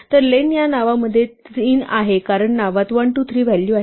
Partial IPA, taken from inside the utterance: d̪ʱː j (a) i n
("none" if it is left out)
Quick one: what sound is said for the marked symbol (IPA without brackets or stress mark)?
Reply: e